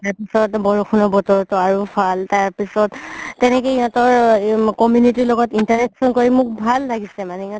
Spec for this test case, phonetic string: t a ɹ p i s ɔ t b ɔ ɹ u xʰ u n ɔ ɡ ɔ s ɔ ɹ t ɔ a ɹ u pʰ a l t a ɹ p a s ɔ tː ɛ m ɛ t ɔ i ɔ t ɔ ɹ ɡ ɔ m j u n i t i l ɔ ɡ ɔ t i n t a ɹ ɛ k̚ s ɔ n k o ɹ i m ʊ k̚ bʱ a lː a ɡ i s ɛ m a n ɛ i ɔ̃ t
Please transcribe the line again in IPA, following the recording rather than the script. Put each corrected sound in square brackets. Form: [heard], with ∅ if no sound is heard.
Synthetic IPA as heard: t a ɹ p i s ɔ t b ɔ ɹ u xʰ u n ɔ [b] ɔ [t] ɔ ɹ t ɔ a ɹ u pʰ a l t a ɹ p [i] s ɔ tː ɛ [n] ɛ [k] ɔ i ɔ t ɔ ɹ [k] ɔ m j u n i t i l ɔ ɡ ɔ t i n t a ɹ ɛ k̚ s ɔ n k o ɹ i m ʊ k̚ bʱ a lː a ɡ i s ɛ m a n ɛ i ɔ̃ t